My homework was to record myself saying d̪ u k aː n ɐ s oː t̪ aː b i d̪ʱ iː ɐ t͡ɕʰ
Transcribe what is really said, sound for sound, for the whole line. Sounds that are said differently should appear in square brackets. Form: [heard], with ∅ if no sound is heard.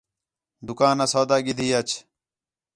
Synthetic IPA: d̪ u k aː n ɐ s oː [d̪] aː [ɡ] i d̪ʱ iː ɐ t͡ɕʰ

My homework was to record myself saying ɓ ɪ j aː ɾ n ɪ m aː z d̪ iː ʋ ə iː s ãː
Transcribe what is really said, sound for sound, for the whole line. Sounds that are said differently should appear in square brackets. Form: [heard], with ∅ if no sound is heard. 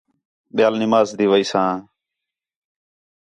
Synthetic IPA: ɓ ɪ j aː [l] n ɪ m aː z d̪ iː ʋ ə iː s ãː

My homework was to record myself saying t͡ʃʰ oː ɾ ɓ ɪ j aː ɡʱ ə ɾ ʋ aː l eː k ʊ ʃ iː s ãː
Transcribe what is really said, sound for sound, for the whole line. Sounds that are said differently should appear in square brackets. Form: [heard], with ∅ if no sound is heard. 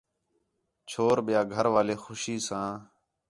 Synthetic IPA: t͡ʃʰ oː ɾ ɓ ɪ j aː ɡʱ ə ɾ ʋ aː l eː [x] ʊ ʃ iː s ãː

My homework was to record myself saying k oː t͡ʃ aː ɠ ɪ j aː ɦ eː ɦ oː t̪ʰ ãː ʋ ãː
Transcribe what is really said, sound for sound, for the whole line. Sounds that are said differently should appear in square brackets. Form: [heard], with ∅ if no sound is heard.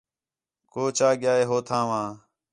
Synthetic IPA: k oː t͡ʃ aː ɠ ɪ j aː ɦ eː ɦ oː t̪ʰ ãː ʋ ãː

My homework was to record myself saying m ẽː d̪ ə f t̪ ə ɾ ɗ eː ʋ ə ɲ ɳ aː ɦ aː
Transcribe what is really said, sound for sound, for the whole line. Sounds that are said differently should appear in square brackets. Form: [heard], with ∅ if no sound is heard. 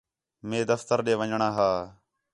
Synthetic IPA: m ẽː d̪ ə f t̪ ə ɾ ɗ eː ʋ ə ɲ ɳ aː ɦ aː

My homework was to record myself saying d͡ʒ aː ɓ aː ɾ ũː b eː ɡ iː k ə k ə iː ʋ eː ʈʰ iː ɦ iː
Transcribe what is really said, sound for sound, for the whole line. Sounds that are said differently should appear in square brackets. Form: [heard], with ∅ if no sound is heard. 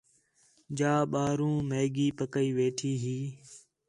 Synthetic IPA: d͡ʒ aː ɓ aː ɾ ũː [m] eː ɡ iː [p] ə k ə iː ʋ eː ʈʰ iː ɦ iː

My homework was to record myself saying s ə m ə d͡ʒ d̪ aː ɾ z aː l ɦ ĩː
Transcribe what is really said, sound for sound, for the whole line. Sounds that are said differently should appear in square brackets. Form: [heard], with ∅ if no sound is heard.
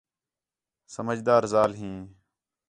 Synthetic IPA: s ə m ə d͡ʒ d̪ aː ɾ z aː l ɦ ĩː

